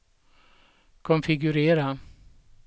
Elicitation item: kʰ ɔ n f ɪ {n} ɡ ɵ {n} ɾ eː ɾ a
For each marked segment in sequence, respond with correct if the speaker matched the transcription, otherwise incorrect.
incorrect: none, incorrect: none

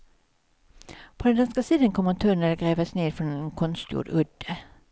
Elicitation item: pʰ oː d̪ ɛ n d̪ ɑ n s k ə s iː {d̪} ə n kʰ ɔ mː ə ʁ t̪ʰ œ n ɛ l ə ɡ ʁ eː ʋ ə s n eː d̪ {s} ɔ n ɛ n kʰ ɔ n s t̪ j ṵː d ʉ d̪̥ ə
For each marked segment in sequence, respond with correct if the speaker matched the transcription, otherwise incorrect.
correct, incorrect: f

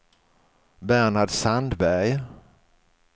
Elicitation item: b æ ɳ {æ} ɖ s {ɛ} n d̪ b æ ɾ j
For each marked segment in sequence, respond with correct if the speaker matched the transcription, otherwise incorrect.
incorrect: a, incorrect: a

